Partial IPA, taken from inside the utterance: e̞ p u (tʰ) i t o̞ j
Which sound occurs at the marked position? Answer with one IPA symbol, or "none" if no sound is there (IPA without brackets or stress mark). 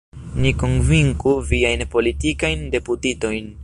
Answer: t